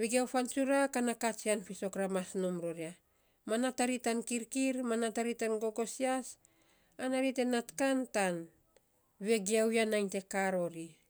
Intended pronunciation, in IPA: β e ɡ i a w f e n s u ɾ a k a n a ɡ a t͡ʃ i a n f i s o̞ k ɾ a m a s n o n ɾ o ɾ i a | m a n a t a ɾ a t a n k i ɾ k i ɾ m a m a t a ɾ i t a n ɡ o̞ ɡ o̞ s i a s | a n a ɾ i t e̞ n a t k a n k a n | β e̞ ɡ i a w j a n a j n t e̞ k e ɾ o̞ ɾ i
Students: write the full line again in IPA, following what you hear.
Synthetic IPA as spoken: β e ɡ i a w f a n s u ɾ a k a n a k a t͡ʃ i a n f i s o̞ k ɾ a m a s n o m ɾ o ɾ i a | m a n a t a ɾ i t a n k i ɾ k i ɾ m a n a t a ɾ i t a n ɡ o̞ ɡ o̞ s i a s | a n a ɾ i t e̞ n a t k a n t a n | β e̞ ɡ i a w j a n a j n t e̞ k a ɾ o̞ ɾ i